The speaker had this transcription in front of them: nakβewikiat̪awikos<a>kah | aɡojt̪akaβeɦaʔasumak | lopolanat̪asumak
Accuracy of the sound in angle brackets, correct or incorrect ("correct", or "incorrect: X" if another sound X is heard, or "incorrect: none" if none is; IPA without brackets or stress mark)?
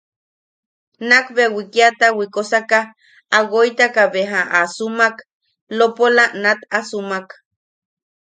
correct